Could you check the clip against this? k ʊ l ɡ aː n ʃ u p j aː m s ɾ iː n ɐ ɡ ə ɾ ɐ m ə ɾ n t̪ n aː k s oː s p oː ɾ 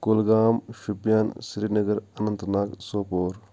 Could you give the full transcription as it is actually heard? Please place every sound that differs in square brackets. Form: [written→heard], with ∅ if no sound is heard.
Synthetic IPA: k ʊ l ɡ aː [n→m] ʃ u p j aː [m→n] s ɾ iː n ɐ ɡ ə ɾ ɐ [m→n] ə [ɾ→∅] n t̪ n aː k s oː [s→∅] p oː ɾ